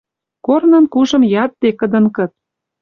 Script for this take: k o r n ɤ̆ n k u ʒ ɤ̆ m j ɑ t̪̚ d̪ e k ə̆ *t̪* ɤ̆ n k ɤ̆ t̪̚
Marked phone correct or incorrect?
incorrect